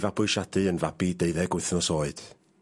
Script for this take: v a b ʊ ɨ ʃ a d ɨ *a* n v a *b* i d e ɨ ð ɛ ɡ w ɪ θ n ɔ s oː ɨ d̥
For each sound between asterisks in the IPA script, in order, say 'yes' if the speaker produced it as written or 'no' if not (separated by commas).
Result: no, yes